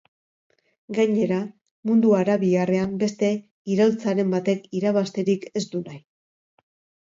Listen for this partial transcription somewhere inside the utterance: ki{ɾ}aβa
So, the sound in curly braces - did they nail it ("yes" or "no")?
yes